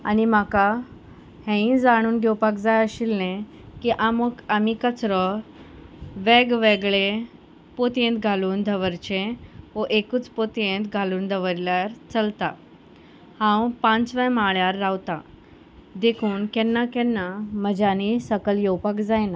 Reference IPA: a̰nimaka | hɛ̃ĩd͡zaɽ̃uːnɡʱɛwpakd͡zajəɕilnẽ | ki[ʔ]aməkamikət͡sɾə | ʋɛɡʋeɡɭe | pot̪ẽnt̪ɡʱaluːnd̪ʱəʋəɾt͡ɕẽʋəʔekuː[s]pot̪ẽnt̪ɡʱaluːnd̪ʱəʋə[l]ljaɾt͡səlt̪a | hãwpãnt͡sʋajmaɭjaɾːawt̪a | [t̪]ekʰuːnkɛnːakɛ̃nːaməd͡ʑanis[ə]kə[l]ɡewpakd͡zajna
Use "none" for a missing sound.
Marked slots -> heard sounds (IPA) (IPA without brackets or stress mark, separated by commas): ʔ, t͡s, ɾ, d̪, ə, l